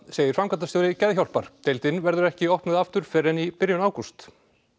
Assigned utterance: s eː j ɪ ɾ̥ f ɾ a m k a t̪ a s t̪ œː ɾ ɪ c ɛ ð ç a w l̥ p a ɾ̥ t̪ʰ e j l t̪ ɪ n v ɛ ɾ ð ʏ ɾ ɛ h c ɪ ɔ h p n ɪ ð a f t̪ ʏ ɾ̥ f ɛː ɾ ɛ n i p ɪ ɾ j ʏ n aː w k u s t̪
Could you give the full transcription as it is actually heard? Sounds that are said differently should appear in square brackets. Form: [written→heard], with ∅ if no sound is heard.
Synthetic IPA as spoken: s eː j ɪ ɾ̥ f ɾ a m k a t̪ a s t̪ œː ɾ ɪ c ɛ ð ç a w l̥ p a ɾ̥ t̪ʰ e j l t̪ ɪ n v ɛ ɾ ð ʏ ɾ ɛ h c ɪ ɔ h p n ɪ ð a f t̪ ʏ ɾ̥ f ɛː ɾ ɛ n i p ɪ ɾ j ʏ n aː w k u s t̪